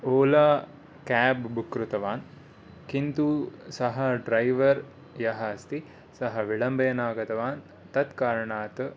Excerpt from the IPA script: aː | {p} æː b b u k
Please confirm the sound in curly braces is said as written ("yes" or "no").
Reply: no